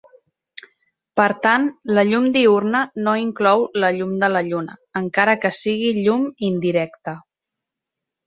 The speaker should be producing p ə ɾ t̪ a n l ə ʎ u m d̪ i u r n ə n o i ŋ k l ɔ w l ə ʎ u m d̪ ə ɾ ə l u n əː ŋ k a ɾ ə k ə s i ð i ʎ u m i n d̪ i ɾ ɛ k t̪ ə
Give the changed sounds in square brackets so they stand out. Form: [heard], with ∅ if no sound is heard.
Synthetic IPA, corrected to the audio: p ə ɾ t̪ a n l ə ʎ u m d̪ i u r n ə n o i ŋ k l ɔ w l ə ʎ u m d̪ ə [l] ə [ʎ] u n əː ŋ k a ɾ ə k ə s i [ɣ] i ʎ u m i n d̪ i ɾ ɛ k t̪ ə